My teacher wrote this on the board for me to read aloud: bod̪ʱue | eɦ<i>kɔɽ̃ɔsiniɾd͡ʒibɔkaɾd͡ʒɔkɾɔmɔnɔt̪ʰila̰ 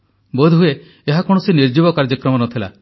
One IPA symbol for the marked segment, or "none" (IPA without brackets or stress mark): a